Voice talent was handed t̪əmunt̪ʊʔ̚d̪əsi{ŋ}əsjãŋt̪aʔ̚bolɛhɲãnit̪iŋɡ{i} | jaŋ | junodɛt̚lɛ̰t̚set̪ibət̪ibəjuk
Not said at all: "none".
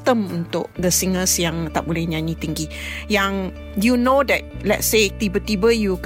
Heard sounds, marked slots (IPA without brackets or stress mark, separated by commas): ŋ, i